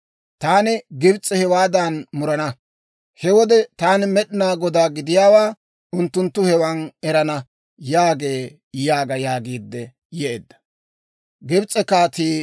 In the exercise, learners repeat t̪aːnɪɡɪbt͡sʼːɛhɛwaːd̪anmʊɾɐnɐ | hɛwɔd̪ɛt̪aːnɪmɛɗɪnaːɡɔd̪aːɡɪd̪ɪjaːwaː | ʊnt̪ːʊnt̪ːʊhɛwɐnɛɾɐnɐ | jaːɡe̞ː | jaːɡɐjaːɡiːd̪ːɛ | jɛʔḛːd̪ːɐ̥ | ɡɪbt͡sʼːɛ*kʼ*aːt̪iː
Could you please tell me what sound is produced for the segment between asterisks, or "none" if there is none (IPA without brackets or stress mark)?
k